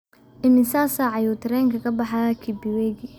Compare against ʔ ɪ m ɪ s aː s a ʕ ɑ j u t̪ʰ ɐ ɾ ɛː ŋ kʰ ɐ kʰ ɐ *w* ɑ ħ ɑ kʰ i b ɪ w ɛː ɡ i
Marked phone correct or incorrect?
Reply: incorrect